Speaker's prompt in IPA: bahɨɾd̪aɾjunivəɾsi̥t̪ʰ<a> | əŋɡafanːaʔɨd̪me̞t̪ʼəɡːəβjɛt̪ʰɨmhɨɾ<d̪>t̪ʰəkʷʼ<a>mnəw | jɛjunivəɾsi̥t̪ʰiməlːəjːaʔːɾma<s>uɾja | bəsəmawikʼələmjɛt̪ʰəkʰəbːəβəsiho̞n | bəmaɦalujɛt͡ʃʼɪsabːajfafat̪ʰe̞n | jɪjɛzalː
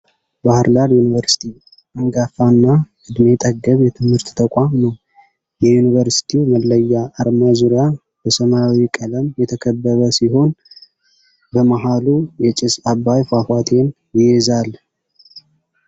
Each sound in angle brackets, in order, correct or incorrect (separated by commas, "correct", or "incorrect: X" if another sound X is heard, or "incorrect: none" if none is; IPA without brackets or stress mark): incorrect: i, incorrect: t̪, correct, incorrect: z